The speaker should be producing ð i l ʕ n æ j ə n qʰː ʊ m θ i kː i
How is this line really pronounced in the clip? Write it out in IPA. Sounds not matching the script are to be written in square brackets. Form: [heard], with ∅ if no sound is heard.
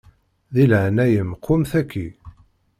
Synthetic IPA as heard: ð i l ʕ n æ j ə [m] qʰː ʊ m θ [æ] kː i